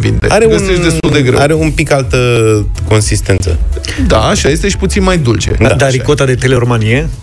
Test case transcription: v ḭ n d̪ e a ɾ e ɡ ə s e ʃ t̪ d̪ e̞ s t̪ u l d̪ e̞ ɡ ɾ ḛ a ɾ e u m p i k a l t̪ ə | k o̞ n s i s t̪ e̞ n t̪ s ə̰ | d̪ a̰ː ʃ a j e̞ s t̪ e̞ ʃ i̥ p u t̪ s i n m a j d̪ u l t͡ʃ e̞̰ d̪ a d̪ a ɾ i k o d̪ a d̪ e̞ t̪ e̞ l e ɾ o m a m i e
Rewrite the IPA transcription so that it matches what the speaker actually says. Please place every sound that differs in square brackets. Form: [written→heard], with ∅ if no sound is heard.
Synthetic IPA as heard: v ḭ n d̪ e a ɾ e ɡ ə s e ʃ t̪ d̪ e̞ s t̪ u l d̪ e̞ ɡ ɾ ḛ a ɾ e u m p i k a l t̪ ə | k o̞ n s i s t̪ e̞ n t̪ s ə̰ | d̪ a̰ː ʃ a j e̞ s t̪ e̞ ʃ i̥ p u t̪ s i n m a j d̪ u l t͡ʃ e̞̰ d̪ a d̪ a ɾ i k o [d̪→t̪] a d̪ e̞ t̪ e̞ l e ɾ o m a [m→n] i e